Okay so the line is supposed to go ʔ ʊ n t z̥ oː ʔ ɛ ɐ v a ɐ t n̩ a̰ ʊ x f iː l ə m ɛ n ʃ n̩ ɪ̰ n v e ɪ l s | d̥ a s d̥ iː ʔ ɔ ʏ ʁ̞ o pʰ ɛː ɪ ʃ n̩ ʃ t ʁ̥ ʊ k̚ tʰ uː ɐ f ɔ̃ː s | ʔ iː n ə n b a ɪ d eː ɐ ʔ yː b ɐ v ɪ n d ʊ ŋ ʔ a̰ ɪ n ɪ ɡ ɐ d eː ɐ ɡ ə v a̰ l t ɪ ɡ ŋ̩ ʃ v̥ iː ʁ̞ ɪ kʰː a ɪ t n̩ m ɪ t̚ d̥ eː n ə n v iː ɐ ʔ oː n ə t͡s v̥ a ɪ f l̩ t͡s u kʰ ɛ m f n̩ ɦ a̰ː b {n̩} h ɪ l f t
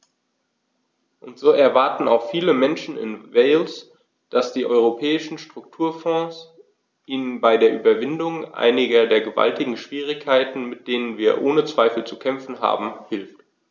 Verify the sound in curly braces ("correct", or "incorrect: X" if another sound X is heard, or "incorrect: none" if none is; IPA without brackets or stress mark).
incorrect: m̩